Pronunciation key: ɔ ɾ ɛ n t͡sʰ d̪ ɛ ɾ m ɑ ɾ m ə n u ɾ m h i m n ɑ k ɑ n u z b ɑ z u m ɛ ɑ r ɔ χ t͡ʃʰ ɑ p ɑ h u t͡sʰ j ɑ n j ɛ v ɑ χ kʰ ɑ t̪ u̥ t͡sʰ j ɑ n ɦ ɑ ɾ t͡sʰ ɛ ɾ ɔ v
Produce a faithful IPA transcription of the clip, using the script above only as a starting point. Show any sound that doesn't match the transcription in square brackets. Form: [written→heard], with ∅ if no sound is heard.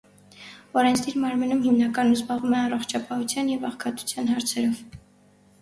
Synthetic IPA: ɔ ɾ ɛ n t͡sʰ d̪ [ɛ→i] ɾ m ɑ ɾ m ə n u [ɾ→∅] m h i m n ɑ k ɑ n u z b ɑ [z→ʁ] u m ɛ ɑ r ɔ χ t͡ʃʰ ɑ p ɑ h u t͡sʰ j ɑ n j ɛ v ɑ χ kʰ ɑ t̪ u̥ t͡sʰ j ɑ n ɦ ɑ ɾ t͡sʰ ɛ ɾ ɔ v